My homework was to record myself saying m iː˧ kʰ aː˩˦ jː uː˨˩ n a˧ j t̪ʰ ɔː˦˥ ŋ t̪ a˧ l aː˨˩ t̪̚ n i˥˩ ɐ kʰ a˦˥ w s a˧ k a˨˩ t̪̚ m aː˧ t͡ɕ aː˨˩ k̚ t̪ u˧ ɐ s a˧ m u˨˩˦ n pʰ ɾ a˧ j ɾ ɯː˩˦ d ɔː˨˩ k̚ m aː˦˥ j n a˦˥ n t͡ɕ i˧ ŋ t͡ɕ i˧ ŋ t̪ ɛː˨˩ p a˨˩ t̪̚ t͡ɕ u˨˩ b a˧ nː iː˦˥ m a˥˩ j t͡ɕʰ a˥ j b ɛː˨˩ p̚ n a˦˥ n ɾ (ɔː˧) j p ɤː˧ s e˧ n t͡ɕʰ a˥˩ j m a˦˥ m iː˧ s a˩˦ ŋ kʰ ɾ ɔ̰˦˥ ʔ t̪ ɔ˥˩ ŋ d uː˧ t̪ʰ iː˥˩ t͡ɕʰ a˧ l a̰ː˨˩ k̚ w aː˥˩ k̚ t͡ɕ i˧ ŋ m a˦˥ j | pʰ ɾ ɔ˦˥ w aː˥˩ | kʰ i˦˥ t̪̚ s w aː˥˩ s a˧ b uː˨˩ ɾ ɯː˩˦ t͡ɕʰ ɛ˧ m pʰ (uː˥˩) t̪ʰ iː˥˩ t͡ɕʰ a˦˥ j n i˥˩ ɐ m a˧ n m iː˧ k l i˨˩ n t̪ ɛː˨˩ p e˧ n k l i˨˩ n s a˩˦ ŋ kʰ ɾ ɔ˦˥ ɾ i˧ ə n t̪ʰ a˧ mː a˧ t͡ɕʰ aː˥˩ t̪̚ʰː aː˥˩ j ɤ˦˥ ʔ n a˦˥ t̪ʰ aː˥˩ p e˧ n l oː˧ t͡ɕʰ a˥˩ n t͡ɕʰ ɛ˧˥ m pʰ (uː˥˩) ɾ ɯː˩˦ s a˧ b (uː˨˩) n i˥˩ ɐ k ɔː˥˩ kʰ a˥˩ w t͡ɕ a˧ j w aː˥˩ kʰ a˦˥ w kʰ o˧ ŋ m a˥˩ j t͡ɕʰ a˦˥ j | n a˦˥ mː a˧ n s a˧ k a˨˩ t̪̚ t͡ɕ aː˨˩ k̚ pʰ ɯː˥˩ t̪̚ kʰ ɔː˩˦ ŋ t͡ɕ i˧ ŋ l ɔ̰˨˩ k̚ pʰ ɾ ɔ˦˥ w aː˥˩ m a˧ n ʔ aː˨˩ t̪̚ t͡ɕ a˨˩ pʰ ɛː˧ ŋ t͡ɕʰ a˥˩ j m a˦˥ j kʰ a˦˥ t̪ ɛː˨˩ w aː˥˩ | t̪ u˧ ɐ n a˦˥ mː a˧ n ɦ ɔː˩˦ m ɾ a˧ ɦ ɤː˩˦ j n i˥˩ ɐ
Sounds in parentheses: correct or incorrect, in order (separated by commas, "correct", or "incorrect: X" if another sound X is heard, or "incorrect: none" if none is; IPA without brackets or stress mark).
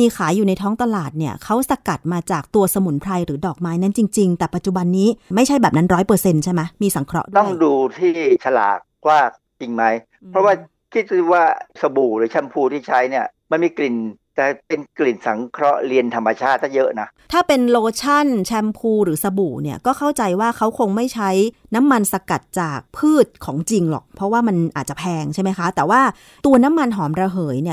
incorrect: ɔː˦˥, incorrect: uː˧, incorrect: uː˧, correct